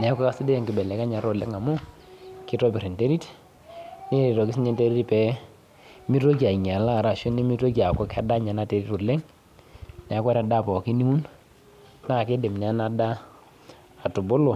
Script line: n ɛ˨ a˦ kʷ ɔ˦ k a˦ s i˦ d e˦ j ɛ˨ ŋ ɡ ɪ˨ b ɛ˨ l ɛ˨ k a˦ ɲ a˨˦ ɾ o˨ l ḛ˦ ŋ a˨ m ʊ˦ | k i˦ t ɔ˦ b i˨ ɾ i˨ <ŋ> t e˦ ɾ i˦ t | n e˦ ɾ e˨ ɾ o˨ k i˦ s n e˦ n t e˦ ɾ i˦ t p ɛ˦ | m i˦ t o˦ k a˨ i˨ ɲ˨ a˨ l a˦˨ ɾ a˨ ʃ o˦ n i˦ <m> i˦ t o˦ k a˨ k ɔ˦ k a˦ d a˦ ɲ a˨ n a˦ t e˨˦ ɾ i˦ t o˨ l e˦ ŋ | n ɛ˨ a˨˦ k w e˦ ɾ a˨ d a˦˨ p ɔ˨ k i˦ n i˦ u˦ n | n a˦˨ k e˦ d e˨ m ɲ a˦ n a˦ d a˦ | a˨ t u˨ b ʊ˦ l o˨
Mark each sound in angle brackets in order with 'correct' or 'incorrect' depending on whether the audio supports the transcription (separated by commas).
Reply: incorrect, correct